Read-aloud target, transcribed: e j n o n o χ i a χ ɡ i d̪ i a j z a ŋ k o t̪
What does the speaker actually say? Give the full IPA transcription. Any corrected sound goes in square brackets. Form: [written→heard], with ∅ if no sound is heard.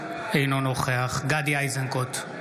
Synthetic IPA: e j n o n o χ [i→e] a χ ɡ [i→a] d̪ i a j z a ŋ k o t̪